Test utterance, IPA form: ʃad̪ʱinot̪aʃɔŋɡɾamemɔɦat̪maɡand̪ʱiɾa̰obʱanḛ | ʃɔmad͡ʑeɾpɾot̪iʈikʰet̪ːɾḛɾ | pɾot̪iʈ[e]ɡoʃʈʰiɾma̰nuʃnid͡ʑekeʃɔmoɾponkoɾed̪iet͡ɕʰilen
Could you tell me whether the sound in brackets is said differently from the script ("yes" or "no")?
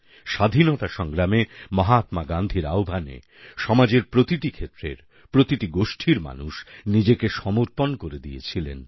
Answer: yes